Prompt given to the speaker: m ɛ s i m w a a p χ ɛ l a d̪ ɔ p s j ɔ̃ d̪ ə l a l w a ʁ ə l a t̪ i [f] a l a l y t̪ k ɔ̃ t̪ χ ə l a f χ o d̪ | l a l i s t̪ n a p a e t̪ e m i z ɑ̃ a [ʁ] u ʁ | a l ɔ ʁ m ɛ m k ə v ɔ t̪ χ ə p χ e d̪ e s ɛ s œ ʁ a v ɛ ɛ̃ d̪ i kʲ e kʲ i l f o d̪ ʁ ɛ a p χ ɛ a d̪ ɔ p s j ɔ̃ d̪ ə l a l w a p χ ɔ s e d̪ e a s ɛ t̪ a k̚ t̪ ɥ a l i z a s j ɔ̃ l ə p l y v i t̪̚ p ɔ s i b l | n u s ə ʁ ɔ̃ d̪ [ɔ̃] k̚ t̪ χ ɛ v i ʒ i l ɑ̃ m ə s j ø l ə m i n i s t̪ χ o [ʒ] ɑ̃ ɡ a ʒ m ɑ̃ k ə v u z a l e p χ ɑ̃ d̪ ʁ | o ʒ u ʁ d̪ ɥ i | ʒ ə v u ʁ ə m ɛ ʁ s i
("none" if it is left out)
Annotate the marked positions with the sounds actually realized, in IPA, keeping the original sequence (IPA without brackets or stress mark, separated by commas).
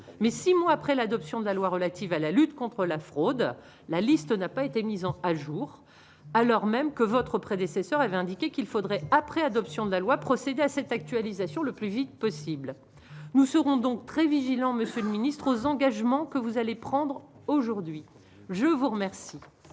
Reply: v, ʒ, ɔ̃, z